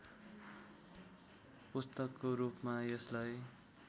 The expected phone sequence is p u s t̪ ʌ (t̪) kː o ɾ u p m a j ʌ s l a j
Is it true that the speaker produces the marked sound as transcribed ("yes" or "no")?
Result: no